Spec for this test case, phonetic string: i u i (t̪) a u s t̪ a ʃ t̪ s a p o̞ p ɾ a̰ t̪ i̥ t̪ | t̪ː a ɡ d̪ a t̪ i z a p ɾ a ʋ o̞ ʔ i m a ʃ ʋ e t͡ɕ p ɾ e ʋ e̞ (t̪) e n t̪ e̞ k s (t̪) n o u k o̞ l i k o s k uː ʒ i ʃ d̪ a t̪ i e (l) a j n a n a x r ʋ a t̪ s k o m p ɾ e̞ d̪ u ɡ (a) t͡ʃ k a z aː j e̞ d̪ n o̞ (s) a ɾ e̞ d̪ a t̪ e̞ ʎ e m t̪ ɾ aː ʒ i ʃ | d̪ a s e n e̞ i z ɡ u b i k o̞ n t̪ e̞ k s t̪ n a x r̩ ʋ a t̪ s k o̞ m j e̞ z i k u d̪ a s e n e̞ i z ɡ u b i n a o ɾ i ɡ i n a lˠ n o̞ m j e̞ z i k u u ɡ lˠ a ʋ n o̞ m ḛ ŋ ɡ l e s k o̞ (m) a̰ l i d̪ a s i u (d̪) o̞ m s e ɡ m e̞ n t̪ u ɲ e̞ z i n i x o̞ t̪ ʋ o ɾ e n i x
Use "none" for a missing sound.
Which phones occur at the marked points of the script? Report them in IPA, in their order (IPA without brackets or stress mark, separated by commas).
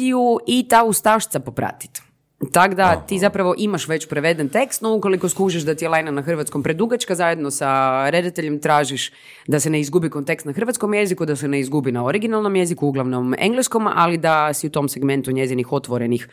t̪, d̪, t̪, l, a, s, m, t̪